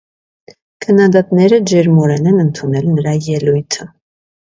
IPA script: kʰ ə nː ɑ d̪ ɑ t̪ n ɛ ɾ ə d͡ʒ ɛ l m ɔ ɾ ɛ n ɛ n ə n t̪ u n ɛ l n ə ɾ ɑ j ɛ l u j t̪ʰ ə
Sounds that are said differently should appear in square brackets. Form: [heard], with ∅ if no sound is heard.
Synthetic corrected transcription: kʰ ə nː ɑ d̪ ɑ t̪ n ɛ ɾ ə d͡ʒ ɛ [ɾ] m ɔ ɾ ɛ n ɛ n ə n [t̪ʰ] u n ɛ l n ə ɾ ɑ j ɛ l u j t̪ʰ ə